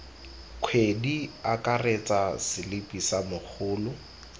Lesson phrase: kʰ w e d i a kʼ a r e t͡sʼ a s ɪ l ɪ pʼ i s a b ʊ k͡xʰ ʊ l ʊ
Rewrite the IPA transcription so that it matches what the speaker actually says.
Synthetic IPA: kʰ w e d i a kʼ a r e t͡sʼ a s ɪ l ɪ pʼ i s a m ʊ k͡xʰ ʊː l ʊ